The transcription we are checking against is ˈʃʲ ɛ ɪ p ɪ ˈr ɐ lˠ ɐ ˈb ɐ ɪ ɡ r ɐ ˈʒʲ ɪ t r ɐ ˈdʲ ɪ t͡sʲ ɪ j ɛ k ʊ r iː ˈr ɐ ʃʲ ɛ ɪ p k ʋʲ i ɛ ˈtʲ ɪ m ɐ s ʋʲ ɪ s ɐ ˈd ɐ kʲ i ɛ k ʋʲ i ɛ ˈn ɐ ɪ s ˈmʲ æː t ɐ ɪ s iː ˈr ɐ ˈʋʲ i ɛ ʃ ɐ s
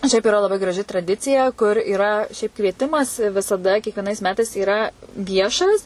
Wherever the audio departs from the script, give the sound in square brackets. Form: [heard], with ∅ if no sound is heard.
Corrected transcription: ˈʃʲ ɛ ɪ p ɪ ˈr ɐ lˠ ɐ ˈb ɐ ɪ ɡ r ɐ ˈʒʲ ɪ t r ɐ ˈdʲ ɪ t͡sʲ ɪ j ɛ k ʊ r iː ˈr ɐ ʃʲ ɛ ɪ p k ʋʲ i ɛ ˈtʲ ɪ m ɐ s ʋʲ ɪ s ɐ ˈd ɐ kʲ i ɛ k ʋʲ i ɛ ˈn ɐ ɪ s ˈmʲ æː t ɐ ɪ s iː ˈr ɐ ˈʋʲ i ɛ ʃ ɐ s